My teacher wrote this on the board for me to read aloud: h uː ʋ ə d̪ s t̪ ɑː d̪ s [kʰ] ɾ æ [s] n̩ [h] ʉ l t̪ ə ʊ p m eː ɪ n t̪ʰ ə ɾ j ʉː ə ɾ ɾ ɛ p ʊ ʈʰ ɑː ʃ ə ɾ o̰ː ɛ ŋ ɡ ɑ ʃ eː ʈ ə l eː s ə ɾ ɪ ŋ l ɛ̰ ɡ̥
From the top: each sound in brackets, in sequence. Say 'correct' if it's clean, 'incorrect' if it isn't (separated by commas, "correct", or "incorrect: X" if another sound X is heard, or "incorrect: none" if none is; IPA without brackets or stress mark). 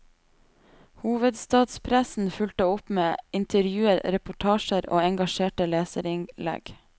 incorrect: pʰ, correct, incorrect: f